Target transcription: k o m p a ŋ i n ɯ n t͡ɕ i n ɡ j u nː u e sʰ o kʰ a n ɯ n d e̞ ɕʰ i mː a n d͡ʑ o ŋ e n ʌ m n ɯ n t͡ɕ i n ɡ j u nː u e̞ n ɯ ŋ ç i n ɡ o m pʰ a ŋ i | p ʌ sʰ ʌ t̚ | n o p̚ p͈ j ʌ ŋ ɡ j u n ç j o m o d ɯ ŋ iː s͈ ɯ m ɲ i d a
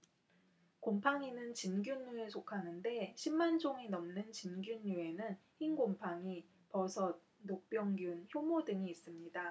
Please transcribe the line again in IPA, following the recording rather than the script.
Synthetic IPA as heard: k o m pʰ a ŋ i n ɯ n t͡ɕ i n ɡ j u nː u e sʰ o kʰ a n ɯ n d e̞ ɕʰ i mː a n d͡ʑ o ŋ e n ʌ m n ɯ n t͡ɕ i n ɡ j u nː u e̞ n ɯ n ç i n ɡ o m pʰ a ŋ i | p ʌ sʰ ʌ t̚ | n o k̚ p͈ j ʌ ŋ ɡ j u n ç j o m o d ɯ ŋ iː s͈ ɯ m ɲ i d a